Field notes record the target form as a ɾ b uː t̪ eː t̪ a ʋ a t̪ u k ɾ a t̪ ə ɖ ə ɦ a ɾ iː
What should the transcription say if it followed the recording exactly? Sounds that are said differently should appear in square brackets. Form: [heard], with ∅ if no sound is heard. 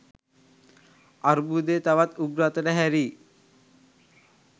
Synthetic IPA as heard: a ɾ b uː [d̪] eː t̪ a ʋ a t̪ u [ɡ] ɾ a t̪ ə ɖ ə ɦ [æ] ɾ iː